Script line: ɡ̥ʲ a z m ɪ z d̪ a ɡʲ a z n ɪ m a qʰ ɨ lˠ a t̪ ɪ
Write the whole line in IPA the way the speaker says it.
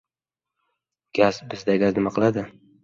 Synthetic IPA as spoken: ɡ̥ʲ a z b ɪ z d̪ a ɡʲ a z n ɪ m a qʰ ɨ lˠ a d̪ ɪ